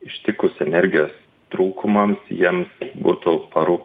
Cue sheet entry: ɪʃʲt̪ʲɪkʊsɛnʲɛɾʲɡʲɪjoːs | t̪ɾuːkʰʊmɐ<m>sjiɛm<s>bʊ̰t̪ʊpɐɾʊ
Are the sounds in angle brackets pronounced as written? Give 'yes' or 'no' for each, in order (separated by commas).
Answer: yes, yes